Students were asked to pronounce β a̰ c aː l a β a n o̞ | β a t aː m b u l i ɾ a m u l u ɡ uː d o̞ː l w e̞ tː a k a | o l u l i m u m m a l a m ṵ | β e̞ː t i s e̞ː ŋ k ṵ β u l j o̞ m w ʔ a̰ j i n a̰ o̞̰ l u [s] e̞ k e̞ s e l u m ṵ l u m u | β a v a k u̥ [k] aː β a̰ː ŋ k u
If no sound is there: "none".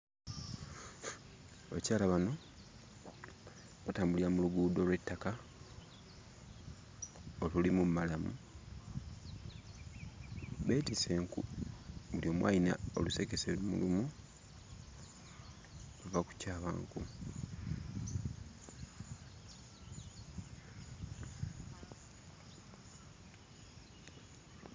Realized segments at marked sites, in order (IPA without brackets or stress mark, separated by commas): s, c